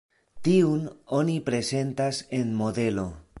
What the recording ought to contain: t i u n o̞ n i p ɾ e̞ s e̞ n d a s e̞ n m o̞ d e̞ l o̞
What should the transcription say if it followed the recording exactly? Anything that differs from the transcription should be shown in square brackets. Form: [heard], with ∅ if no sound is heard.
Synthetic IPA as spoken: t i u n o̞ n i p ɾ e̞ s e̞ n [t] a s e̞ n m o̞ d e̞ l o̞